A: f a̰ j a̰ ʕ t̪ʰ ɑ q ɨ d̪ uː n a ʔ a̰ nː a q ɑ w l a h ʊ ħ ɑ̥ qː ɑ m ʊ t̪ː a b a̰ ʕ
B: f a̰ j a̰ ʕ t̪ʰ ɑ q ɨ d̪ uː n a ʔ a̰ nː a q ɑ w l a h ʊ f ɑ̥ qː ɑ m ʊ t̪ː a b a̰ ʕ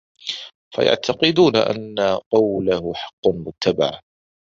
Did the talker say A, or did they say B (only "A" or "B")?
A